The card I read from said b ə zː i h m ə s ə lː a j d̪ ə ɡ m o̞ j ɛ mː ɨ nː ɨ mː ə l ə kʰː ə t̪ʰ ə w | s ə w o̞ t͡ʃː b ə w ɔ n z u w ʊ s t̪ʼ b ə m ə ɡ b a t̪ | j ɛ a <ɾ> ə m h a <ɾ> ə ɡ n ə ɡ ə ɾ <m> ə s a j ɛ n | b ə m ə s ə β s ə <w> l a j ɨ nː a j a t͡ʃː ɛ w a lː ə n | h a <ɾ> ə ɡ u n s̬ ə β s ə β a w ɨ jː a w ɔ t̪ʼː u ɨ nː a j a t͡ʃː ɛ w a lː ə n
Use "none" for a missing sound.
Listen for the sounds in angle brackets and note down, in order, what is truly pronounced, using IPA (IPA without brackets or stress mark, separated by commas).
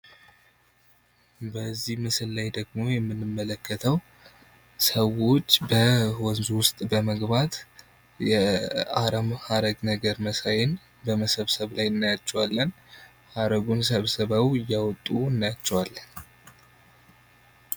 ɾ, ɾ, m, β, ɾ